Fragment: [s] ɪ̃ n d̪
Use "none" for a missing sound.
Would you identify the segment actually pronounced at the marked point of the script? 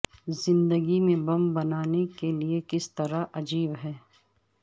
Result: z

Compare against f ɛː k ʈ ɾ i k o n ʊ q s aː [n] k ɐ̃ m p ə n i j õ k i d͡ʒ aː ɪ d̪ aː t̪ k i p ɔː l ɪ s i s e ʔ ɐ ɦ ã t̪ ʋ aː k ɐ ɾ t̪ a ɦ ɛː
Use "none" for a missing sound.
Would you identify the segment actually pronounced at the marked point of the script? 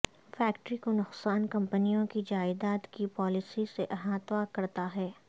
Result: n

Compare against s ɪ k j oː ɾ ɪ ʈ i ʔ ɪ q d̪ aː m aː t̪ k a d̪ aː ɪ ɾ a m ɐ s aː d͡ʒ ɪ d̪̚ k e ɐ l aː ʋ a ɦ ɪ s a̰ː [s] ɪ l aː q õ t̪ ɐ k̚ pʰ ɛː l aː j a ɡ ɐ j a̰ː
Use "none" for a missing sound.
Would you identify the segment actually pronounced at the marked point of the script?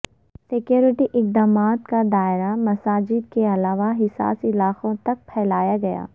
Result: s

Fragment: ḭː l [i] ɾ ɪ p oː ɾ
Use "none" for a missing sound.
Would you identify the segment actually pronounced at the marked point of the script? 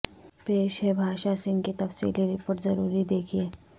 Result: i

